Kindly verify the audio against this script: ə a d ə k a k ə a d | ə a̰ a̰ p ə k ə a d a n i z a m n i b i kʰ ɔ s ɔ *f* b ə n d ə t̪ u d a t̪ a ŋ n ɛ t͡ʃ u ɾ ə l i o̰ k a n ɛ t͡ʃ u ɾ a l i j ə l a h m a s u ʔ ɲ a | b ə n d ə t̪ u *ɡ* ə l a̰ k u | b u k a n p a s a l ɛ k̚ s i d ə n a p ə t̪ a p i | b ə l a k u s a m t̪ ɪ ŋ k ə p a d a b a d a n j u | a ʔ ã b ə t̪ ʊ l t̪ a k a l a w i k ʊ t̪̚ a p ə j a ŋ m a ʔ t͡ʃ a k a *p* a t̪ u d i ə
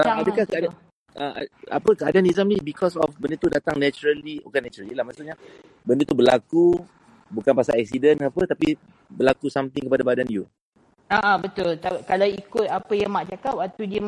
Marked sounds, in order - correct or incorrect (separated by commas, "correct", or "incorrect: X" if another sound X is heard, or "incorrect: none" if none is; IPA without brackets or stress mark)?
correct, incorrect: b, correct